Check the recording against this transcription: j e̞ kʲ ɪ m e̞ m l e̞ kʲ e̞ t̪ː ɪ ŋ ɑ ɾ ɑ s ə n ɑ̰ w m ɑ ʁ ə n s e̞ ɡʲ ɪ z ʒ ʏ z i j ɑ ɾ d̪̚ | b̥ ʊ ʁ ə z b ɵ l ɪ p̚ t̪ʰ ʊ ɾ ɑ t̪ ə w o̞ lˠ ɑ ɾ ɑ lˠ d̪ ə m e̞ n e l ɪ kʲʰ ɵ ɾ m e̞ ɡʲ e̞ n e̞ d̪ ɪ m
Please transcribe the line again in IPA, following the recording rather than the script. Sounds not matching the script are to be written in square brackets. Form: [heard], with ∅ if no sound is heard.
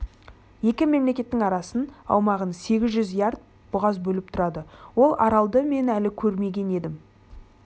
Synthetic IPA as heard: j e̞ kʲ ɪ m e̞ m l e̞ kʲ e̞ t̪ː ɪ ŋ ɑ ɾ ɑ s ə n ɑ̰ w m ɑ ʁ ə n s e̞ ɡʲ ɪ z ʒ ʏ z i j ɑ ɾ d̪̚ | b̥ ʊ ʁ [ɑ] z b ɵ l ɪ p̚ t̪ʰ ʊ ɾ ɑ [d̪] ə w o̞ lˠ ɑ ɾ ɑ lˠ d̪ ə m e̞ n [æ] l ɪ kʲʰ ɵ ɾ m e̞ ɡʲ e̞ n e̞ d̪ ɪ m